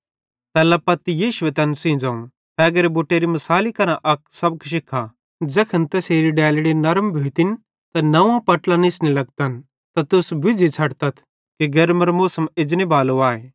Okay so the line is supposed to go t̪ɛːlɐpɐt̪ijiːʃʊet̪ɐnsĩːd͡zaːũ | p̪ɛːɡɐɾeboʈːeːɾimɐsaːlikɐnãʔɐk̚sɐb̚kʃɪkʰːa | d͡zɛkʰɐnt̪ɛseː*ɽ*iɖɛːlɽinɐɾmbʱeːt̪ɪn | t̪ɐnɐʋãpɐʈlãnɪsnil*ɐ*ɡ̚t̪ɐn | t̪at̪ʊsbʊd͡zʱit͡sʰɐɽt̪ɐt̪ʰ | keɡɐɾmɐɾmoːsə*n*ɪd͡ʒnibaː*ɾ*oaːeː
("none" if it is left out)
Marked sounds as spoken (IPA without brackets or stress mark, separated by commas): ɾ, ɐ, m, l